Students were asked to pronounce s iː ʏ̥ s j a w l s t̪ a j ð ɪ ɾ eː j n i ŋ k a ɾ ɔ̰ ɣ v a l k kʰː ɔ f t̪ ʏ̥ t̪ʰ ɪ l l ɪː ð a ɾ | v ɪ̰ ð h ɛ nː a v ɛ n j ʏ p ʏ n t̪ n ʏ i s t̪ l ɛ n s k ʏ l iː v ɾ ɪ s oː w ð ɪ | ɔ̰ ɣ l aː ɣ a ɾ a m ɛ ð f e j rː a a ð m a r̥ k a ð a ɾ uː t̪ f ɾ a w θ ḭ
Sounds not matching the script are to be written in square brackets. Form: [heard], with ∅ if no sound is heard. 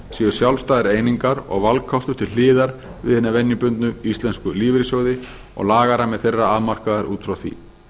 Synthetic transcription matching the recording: s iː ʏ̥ s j a w l s t̪ a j ð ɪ ɾ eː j n i ŋ k a ɾ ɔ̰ ɣ v a l k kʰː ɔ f t̪ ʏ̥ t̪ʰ ɪ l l ɪː ð a ɾ | v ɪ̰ ð h ɛ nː a v ɛ n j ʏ p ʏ n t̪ n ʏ i s t̪ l ɛ n s k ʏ l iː v ɾ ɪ s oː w ð ɪ | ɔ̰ ɣ l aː ɣ a ɾ a m ɛ ð [θ] e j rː a a ð m a r̥ k a ð a ɾ uː t̪ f ɾ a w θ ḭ